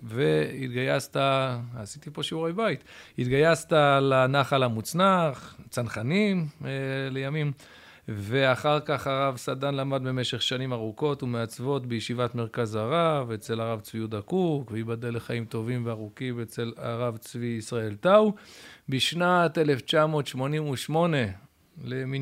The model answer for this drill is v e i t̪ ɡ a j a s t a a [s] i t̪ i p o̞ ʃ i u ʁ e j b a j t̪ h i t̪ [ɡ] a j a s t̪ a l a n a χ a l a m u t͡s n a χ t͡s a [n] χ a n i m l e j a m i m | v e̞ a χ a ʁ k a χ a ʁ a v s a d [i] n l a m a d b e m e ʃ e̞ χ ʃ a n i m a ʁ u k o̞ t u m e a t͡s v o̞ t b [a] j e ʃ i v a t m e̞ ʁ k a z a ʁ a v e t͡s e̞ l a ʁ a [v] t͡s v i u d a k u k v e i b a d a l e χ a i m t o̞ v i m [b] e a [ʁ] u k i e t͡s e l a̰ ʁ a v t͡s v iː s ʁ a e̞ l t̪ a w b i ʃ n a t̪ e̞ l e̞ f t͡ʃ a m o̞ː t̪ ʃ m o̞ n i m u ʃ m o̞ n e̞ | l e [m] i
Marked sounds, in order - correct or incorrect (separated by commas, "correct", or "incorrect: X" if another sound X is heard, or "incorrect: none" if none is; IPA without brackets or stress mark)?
correct, correct, correct, incorrect: a, incorrect: e, correct, incorrect: v, correct, correct